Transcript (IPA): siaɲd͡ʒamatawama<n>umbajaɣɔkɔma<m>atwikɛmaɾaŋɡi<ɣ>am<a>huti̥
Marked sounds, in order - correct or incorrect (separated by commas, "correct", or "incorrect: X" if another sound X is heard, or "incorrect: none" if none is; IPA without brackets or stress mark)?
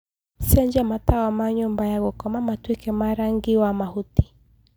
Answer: incorrect: ɲ, correct, incorrect: w, correct